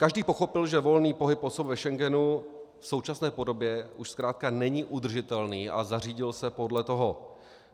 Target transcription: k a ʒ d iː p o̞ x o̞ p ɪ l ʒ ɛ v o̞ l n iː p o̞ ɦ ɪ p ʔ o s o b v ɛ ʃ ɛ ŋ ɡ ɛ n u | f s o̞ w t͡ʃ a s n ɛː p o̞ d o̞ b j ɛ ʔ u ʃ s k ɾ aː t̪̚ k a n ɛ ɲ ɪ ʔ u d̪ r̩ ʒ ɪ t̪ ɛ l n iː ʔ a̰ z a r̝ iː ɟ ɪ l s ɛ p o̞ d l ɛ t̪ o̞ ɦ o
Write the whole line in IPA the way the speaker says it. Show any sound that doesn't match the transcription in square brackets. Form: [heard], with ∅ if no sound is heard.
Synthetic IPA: k a ʒ d iː p o̞ x o̞ p ɪ l ʒ ɛ v o̞ l n iː p o̞ ɦ ɪ p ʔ o s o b v ɛ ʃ ɛ ŋ ɡ ɛ n u | f s o̞ w t͡ʃ a s n ɛː p o̞ d o̞ b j ɛ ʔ u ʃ s k ɾ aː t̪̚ k a n ɛ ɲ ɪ ʔ u d̪ r̩ ʒ ɪ t̪ ɛ l n iː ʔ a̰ z a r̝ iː ɟ ɪ l s ɛ p o̞ d l ɛ t̪ o̞ ɦ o